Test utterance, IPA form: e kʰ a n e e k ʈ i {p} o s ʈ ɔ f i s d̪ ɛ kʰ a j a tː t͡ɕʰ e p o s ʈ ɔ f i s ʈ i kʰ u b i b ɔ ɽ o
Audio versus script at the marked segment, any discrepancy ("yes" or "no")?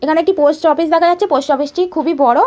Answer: no